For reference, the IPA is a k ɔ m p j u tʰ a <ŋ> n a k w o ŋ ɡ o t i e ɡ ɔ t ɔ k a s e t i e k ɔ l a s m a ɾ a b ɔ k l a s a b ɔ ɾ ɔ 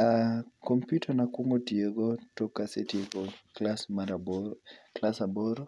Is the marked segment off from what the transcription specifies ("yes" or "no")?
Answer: yes